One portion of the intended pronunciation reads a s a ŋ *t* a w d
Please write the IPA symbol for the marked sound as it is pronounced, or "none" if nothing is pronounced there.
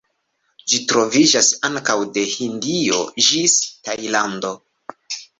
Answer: k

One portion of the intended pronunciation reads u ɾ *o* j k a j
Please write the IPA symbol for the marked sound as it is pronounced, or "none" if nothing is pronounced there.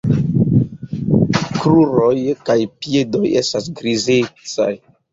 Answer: o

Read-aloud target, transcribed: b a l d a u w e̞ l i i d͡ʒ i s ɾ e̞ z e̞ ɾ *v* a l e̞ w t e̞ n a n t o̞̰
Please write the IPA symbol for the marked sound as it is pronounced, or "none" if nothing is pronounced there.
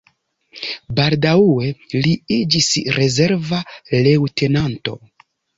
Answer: v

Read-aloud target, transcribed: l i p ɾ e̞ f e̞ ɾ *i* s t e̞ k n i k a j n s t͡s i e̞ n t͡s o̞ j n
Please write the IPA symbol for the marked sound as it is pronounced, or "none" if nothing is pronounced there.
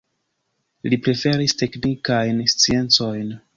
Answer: i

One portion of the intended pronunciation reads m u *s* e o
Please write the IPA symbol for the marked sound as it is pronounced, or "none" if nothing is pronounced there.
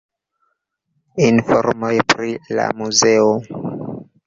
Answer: z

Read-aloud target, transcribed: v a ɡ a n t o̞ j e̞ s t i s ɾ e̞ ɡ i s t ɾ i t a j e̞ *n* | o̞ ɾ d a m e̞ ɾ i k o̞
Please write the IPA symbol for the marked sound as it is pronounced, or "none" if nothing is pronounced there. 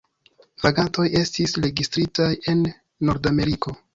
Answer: nː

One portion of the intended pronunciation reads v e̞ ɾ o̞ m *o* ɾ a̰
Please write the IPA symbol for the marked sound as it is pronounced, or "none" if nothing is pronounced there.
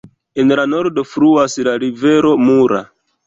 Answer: u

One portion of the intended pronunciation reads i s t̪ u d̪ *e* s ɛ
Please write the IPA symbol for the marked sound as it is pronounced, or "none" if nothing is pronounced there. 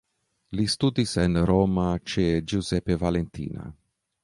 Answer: i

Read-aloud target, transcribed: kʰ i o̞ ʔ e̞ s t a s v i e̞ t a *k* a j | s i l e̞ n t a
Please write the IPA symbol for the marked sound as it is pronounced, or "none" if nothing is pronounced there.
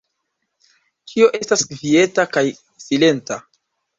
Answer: k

